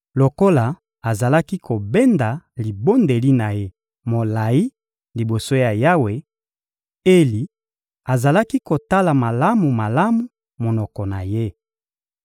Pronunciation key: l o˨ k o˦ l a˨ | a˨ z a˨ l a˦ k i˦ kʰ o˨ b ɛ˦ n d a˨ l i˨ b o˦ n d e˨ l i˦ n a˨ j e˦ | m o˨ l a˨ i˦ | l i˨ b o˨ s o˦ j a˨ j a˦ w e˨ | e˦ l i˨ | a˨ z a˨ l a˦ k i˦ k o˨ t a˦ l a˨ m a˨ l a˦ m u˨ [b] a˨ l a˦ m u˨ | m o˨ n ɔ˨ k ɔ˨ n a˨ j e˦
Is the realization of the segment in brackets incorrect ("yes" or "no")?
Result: yes